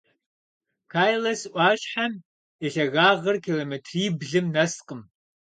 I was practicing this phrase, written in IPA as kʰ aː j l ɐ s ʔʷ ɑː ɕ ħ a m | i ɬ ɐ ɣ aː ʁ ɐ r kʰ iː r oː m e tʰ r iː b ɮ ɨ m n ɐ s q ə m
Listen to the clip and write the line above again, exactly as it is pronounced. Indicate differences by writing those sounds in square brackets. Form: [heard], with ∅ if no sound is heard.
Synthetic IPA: kʰ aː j l ɐ s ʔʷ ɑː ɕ ħ a m | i ɬ ɐ ɣ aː ʁ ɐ r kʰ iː [l] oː m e tʰ r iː b ɮ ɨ m n ɐ s q ə m